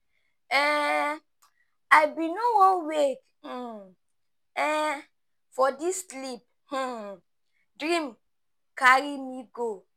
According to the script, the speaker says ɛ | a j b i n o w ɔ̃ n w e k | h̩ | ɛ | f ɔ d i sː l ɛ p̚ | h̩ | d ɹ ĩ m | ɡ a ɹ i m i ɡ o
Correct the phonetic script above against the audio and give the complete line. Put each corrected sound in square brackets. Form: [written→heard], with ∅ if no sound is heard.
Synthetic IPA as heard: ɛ | a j b i n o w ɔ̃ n w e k | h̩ | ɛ | f ɔ d i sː l [ɛ→i] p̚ | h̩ | d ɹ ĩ m | [ɡ→k] a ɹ i m i ɡ o